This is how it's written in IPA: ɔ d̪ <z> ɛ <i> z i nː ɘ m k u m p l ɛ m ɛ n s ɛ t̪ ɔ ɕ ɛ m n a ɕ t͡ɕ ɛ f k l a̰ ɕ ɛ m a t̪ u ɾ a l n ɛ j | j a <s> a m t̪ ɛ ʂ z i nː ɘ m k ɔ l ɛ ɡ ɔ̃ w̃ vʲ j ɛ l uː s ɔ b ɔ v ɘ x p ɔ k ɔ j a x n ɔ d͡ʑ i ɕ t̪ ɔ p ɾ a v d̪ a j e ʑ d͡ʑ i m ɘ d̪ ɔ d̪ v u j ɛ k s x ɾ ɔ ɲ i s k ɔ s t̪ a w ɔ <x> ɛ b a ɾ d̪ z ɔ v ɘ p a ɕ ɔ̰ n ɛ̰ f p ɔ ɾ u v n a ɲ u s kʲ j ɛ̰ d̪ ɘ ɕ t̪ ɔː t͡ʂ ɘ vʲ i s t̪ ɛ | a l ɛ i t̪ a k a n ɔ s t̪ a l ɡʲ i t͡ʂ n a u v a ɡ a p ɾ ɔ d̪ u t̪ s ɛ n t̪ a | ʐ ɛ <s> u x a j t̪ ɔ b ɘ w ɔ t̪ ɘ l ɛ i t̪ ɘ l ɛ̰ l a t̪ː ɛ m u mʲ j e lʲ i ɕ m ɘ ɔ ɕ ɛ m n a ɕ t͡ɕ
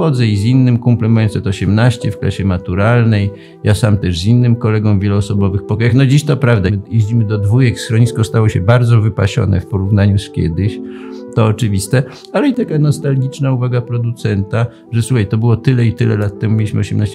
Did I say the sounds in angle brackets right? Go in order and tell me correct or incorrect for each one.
correct, correct, correct, incorrect: ɕ, correct

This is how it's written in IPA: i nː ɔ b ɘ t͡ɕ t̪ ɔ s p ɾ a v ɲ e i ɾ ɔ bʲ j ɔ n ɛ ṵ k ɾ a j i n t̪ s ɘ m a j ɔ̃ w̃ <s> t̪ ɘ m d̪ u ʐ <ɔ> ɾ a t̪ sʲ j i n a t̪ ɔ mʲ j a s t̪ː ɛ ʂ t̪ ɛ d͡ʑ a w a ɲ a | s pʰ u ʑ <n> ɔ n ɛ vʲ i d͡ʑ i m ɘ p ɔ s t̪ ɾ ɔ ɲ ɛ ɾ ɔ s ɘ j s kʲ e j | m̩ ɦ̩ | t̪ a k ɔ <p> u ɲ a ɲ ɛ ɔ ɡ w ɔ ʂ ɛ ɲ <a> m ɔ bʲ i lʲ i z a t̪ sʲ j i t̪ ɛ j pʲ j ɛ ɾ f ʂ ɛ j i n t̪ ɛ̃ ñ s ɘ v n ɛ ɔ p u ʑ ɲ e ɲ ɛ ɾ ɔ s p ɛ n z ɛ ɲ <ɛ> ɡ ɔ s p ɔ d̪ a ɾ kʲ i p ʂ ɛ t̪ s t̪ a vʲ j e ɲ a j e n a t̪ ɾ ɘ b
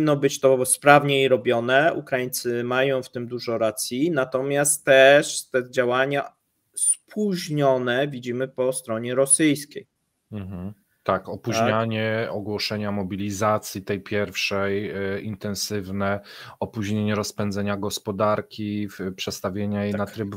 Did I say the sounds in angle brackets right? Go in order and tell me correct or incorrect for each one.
incorrect: f, correct, incorrect: ɲ, correct, correct, incorrect: a

